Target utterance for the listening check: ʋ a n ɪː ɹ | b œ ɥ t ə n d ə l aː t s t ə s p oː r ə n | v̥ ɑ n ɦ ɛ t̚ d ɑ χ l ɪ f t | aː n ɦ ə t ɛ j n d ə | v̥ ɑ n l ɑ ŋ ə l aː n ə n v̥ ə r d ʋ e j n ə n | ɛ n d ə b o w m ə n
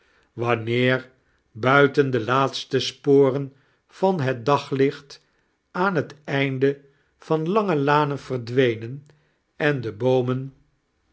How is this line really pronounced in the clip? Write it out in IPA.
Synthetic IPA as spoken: ʋ ɑ n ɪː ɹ | b œ ɥ t ə n d ə l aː t s t ə s p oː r ə n | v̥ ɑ n ɦ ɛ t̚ d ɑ χ l ɪ χ t | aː n ɦ ə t ɛ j n d ə | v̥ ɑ n l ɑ ŋ ə l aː n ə n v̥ ə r d ʋ e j n ə n | ɛ n d ə b o w m ə n